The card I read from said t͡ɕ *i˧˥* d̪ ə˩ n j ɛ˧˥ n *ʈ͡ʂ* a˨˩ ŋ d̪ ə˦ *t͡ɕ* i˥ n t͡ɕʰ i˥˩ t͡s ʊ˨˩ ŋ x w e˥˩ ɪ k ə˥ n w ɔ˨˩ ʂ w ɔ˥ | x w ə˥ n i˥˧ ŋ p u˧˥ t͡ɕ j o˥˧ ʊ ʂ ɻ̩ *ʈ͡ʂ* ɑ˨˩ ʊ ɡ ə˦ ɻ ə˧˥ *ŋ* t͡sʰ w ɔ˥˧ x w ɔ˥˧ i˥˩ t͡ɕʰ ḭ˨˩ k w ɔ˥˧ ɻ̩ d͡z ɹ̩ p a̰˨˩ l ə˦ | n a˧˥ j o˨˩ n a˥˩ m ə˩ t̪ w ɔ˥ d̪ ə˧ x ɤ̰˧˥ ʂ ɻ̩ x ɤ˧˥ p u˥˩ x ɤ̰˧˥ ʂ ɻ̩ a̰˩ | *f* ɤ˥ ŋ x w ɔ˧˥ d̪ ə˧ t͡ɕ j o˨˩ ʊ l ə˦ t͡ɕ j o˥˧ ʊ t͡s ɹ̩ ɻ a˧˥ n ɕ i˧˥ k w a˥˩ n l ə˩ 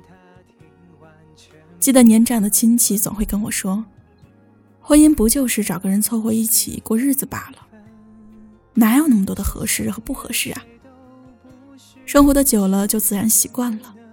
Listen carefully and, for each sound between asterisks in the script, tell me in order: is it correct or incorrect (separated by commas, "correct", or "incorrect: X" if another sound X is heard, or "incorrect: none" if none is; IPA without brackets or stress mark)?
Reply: incorrect: i˥˩, correct, incorrect: t͡ɕʰ, correct, incorrect: n, incorrect: ʂ